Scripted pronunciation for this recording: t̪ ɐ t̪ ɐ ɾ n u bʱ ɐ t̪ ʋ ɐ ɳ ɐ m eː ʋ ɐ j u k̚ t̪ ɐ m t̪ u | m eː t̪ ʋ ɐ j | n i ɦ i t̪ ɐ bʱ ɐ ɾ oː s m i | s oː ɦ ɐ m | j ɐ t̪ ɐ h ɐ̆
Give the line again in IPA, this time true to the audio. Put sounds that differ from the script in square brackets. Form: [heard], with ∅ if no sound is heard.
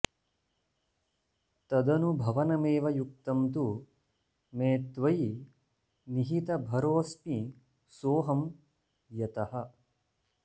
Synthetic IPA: t̪ ɐ [d̪] ɐ [∅] n u bʱ ɐ [∅] ʋ ɐ [n] ɐ m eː ʋ ɐ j u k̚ t̪ ɐ m t̪ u | m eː t̪ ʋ ɐ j | n i ɦ i t̪ ɐ bʱ ɐ ɾ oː s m i | s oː ɦ ɐ m | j ɐ t̪ ɐ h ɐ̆

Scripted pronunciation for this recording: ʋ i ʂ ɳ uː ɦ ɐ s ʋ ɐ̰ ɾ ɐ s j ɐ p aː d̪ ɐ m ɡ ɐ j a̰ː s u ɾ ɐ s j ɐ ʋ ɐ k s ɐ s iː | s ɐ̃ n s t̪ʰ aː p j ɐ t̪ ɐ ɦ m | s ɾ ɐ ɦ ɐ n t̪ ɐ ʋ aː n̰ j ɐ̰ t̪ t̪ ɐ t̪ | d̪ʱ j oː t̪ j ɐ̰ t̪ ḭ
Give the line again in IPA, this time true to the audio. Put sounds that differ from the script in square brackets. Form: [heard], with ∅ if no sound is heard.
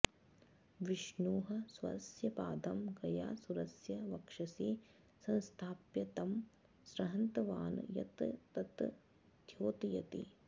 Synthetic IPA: ʋ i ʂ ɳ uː ɦ ɐ s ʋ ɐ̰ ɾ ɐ s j ɐ p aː d̪ ɐ m ɡ ɐ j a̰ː s u ɾ ɐ s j ɐ ʋ ɐ k [ʂ] ɐ s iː | s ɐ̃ n s t̪ʰ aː p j ɐ t̪ ɐ [∅] m | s ɾ ɐ ɦ ɐ n t̪ ɐ ʋ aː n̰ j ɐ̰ t̪ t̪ ɐ t̪ | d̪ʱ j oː t̪ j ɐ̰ t̪ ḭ

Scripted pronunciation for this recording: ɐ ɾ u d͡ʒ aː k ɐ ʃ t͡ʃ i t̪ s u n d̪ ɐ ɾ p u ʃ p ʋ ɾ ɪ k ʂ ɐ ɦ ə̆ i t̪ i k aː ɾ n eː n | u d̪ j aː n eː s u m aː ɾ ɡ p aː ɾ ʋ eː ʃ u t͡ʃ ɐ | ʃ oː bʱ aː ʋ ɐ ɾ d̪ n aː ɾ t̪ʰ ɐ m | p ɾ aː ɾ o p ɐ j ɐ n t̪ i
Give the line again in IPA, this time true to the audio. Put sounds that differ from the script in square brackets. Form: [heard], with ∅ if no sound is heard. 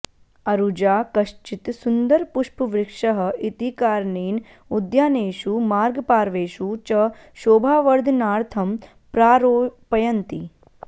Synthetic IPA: ɐ ɾ u d͡ʒ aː k ɐ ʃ t͡ʃ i t̪ s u n d̪ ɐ ɾ p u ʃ p ʋ ɾ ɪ k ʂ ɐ ɦ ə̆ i t̪ i k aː ɾ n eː n | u d̪ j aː n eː [ʃ] u m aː ɾ ɡ p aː ɾ ʋ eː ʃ u t͡ʃ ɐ | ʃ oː bʱ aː ʋ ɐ ɾ d̪ n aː ɾ t̪ʰ ɐ m | p ɾ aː ɾ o p ɐ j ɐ n t̪ i

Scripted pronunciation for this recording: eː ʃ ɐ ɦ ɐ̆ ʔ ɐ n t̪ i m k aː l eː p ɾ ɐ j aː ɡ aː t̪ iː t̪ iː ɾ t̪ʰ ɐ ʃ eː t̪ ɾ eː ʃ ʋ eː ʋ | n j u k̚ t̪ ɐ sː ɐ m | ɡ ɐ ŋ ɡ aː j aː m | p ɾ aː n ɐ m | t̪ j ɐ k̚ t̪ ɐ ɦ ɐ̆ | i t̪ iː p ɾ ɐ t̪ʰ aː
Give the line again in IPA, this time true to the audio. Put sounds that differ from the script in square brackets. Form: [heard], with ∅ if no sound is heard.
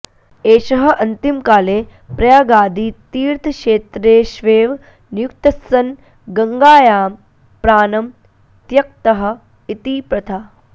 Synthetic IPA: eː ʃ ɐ ɦ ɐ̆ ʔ ɐ n t̪ i m k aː l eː p ɾ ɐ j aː ɡ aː [d̪] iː t̪ iː ɾ t̪ʰ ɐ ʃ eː t̪ ɾ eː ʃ ʋ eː ʋ | n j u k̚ t̪ ɐ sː ɐ [n] | ɡ ɐ ŋ ɡ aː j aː m | p ɾ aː n ɐ m | t̪ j ɐ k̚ t̪ ɐ ɦ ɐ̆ | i t̪ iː p ɾ ɐ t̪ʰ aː

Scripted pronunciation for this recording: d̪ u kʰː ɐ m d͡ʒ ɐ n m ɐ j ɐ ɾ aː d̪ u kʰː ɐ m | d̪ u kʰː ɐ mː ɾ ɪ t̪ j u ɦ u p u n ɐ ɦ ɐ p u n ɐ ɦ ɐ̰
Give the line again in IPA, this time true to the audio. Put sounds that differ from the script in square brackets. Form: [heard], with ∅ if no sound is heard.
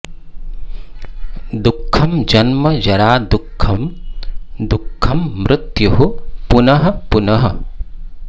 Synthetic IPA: d̪ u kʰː ɐ m d͡ʒ ɐ n m ɐ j ɐ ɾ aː d̪ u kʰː ɐ m | d̪ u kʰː ɐ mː ɾ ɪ t̪ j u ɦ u p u n ɐ ɦ ɐ p u n ɐ ɦ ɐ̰

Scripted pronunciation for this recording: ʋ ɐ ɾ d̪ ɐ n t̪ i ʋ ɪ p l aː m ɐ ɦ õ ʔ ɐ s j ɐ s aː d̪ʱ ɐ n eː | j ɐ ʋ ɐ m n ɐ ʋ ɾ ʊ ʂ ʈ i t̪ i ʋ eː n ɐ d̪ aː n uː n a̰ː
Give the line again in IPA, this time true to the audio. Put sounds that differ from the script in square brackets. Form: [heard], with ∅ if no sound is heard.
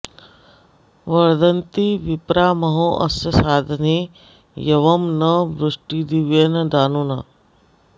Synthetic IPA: ʋ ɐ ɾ d̪ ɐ n t̪ i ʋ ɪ p [ɾ] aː m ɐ ɦ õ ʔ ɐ s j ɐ s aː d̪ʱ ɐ n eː | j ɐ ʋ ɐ m n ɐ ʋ ɾ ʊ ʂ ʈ i [d̪] i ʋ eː n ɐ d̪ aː n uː n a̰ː

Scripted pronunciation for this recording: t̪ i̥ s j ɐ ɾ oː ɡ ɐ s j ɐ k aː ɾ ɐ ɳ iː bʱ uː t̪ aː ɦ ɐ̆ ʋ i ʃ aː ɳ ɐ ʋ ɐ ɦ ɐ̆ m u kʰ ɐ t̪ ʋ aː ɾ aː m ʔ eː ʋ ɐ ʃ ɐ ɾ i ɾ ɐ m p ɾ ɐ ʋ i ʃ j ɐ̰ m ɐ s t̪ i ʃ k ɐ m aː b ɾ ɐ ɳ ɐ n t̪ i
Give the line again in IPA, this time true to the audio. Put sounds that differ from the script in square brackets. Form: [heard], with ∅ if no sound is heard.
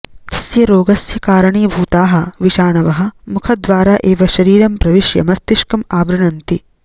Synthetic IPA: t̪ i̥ s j ɐ ɾ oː ɡ ɐ s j ɐ k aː ɾ ɐ ɳ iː bʱ uː t̪ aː ɦ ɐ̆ ʋ i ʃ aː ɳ ɐ ʋ ɐ ɦ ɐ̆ m u kʰ ɐ [d̪] ʋ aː ɾ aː [∅] ʔ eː ʋ ɐ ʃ ɐ ɾ [iː] ɾ ɐ m p ɾ ɐ ʋ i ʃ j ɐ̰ m ɐ s t̪ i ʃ k ɐ m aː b ɾ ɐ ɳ ɐ n t̪ i

